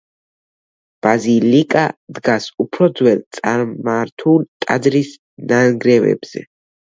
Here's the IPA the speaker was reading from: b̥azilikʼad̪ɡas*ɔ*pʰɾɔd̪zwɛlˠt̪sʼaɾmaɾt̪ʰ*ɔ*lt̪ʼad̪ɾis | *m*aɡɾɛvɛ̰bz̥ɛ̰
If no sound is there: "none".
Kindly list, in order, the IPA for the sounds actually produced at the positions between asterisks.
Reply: u, u, n

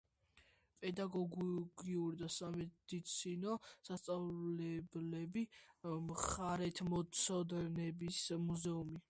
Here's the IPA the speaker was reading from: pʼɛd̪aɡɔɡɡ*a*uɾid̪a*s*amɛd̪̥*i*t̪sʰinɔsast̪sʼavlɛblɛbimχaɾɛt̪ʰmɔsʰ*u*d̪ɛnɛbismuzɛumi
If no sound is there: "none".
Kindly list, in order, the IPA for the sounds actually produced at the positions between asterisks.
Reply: i, s, i, ɔ

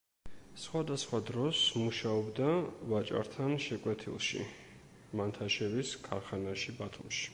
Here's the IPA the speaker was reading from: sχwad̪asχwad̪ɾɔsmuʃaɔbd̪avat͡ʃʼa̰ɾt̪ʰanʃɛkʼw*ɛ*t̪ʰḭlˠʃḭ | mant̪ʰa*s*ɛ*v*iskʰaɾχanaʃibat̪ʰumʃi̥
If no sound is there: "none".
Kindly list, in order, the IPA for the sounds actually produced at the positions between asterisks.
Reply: ɛ, ʃ, v

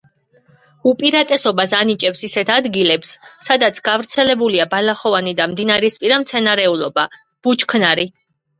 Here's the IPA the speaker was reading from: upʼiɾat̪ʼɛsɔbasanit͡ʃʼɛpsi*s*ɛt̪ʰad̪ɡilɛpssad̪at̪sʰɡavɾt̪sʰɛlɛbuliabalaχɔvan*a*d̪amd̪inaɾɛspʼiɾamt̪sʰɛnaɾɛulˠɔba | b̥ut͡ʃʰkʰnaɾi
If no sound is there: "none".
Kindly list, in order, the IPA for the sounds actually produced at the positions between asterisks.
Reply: s, i

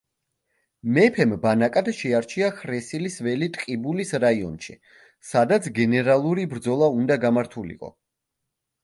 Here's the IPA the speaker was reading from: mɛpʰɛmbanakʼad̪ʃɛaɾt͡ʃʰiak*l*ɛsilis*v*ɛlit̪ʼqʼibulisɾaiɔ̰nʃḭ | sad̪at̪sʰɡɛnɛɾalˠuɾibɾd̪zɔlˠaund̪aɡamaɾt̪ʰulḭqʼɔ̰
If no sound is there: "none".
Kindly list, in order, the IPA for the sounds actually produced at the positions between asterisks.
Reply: ɾ, v

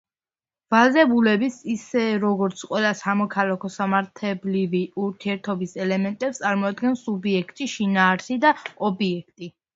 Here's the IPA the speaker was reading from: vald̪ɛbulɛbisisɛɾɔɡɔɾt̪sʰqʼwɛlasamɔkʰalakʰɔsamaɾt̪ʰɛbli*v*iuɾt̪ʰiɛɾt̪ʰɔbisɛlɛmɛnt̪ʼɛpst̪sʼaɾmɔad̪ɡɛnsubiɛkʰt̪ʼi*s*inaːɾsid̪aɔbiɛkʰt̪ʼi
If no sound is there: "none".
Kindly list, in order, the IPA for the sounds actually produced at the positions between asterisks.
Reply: v, ʃ

